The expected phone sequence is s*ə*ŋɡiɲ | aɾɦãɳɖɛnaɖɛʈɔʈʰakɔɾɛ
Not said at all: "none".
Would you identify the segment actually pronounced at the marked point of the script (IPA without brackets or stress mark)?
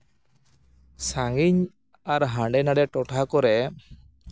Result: a